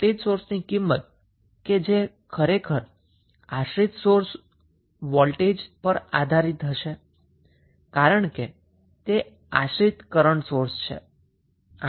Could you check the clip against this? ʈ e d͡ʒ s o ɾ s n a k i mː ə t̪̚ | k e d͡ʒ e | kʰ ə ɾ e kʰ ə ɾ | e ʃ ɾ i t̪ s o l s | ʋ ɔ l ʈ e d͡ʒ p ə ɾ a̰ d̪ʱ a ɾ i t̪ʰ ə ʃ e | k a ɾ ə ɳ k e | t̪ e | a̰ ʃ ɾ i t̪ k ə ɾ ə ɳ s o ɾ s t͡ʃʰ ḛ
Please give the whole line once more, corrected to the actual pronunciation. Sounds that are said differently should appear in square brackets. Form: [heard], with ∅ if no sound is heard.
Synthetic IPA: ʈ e d͡ʒ s o ɾ s n [i] k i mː ə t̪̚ | k e d͡ʒ e | kʰ ə ɾ e kʰ ə ɾ | [a] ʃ ɾ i t̪ s o [ɾ] s | ʋ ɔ l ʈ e d͡ʒ p ə ɾ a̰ d̪ʱ a ɾ i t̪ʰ ə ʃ e | k a ɾ ə ɳ k e | t̪ e | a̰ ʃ ɾ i t̪ k ə ɾ ə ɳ s o ɾ s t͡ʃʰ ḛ